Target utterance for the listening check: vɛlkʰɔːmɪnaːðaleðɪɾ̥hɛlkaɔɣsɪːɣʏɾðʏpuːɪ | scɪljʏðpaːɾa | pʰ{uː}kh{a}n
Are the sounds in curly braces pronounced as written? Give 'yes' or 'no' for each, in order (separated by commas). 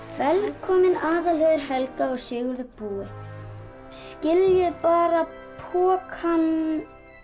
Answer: no, yes